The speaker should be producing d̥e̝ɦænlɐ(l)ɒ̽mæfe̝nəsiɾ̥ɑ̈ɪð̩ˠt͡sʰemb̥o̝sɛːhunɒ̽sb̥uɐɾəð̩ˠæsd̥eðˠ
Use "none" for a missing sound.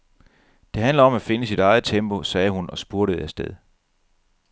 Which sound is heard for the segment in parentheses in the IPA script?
none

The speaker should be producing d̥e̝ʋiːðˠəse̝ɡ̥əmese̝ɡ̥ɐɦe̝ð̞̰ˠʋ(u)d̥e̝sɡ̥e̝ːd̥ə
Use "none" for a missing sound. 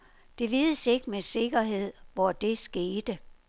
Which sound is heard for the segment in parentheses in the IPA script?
ɒ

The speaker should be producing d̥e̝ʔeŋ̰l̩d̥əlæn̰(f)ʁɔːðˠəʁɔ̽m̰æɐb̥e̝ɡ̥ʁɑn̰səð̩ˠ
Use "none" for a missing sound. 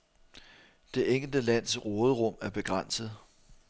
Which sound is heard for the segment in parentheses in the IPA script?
s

